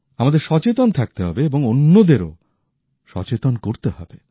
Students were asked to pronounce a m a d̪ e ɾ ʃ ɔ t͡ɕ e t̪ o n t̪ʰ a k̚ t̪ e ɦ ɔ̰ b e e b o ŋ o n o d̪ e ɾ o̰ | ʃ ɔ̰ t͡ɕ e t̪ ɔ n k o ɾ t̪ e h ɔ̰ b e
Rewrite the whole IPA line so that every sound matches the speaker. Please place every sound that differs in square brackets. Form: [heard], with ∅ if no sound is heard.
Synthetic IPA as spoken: a m a d̪ e ɾ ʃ ɔ t͡ɕ e t̪ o n t̪ʰ a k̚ t̪ e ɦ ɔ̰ b e e b o ŋ o [nː] o d̪ e ɾ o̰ | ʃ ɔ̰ t͡ɕ e t̪ [o] n k o ɾ t̪ e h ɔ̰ b e